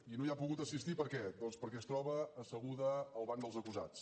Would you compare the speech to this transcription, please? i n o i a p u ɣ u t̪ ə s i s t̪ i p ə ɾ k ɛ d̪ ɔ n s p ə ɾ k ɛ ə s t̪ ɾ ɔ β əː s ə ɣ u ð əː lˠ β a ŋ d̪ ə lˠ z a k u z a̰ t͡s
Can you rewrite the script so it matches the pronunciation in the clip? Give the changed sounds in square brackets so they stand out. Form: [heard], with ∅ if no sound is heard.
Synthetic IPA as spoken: i n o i a p u ɣ u t̪ ə s i s t̪ i p ə ɾ k ɛ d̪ ɔ n s p ə ɾ k ɛ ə s t̪ ɾ ɔ β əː s ə ɣ u ð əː lˠ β a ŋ d̪ ə lˠ z [ə] k u z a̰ t͡s